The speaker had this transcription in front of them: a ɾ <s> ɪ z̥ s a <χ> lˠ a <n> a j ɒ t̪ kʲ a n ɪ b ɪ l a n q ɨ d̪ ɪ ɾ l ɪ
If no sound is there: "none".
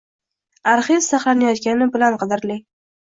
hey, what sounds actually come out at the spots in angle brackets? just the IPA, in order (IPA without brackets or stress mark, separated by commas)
χ, χ, n